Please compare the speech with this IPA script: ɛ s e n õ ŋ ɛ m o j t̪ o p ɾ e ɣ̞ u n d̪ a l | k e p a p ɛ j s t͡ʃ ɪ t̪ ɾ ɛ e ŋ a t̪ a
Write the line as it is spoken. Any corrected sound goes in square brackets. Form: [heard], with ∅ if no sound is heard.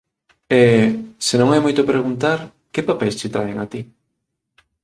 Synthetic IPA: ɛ s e n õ ŋ ɛ m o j t̪ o p ɾ e ɣ̞ u n [t̪] a [ɾ] | k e p a p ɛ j s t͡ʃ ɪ t̪ ɾ [a] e ŋ a t̪ [i]